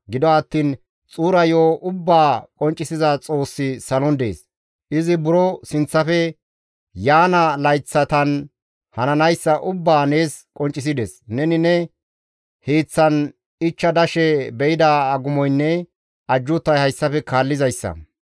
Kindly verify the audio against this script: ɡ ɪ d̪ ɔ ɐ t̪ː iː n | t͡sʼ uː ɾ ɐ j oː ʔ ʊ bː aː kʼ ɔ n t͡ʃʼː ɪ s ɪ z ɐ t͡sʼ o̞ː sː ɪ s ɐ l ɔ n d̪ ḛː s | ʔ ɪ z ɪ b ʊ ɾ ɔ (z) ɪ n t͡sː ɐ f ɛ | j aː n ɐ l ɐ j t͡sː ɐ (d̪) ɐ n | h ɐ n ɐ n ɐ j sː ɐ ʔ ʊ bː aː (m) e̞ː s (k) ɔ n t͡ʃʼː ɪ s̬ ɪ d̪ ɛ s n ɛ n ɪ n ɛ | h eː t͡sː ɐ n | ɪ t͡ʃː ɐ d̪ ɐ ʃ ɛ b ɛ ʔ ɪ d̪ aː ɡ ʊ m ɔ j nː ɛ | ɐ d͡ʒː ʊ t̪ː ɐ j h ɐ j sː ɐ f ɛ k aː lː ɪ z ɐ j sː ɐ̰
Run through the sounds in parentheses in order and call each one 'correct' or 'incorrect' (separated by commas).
incorrect, incorrect, incorrect, incorrect